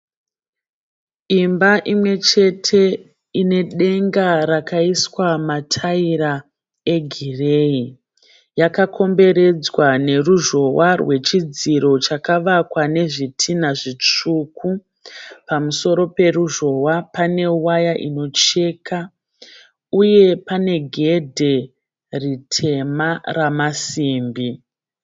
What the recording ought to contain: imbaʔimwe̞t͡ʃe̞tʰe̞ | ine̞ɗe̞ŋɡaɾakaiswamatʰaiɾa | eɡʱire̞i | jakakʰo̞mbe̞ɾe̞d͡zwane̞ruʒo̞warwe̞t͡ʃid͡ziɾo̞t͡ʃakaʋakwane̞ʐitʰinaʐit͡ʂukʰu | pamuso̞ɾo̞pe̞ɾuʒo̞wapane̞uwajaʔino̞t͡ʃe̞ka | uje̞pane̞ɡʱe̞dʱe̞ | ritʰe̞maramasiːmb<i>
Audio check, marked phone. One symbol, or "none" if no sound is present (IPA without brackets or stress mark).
i